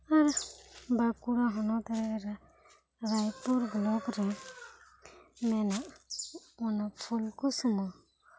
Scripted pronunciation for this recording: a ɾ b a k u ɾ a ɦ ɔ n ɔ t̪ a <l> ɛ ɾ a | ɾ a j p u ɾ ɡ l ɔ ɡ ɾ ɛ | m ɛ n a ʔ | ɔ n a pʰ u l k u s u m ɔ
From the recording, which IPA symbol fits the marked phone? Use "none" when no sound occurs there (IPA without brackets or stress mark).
ɾ